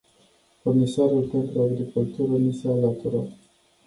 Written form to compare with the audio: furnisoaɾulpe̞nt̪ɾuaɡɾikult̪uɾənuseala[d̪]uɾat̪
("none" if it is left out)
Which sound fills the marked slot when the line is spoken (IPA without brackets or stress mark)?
t̪